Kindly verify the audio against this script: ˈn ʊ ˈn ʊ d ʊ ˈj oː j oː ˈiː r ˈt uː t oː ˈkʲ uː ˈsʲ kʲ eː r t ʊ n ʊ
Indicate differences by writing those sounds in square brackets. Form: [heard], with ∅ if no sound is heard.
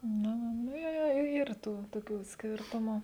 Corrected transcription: ˈn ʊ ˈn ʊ [n] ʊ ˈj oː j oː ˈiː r ˈt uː t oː ˈkʲ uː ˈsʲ kʲ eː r t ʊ [m] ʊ